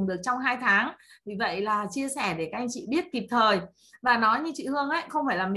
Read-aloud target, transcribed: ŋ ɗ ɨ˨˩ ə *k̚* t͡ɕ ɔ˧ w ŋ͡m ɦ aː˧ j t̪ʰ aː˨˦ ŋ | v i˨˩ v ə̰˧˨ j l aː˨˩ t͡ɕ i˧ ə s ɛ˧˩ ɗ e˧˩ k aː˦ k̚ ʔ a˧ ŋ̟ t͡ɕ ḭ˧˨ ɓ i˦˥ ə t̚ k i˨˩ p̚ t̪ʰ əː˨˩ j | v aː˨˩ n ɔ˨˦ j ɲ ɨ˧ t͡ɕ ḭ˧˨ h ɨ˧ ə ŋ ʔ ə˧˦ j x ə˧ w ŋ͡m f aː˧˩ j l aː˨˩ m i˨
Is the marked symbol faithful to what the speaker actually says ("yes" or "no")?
yes